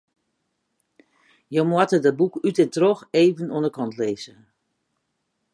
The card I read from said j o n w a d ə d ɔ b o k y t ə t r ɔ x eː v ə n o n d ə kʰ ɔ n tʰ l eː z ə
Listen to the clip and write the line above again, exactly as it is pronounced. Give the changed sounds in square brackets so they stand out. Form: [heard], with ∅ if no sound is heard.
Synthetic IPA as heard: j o [m] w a [t] ə d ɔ b [u] k y t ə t r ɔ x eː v ə n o n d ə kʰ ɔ n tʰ l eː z ə